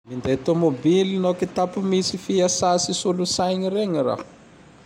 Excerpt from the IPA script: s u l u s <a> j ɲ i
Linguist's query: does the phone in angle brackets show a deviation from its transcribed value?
no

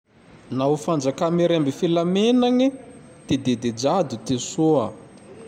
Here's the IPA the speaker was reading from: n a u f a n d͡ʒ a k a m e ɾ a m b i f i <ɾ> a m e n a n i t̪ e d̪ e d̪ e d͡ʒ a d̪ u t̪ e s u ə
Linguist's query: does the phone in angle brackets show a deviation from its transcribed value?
yes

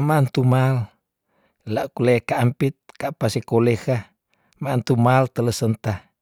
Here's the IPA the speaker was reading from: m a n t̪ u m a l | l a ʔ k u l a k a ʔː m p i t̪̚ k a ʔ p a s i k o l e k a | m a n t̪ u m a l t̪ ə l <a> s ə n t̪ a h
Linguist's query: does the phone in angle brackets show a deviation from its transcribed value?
yes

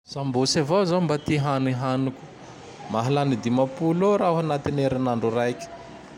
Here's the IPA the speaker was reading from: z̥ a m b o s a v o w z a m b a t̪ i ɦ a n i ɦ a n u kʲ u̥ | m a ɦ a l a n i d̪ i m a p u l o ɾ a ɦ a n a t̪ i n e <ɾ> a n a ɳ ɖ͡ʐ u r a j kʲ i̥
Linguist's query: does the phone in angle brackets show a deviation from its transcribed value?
no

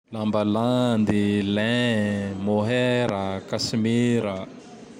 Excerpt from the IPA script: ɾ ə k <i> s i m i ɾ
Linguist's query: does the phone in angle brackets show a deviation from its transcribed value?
yes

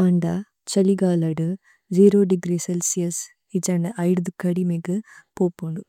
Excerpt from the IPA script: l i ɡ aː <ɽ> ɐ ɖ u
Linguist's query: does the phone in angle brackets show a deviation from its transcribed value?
yes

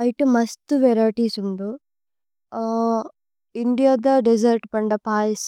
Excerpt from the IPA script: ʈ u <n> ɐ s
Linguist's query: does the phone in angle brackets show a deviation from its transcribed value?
yes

